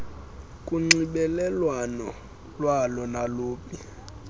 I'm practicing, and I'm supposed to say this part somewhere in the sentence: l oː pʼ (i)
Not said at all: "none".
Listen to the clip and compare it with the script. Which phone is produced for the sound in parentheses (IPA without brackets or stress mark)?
i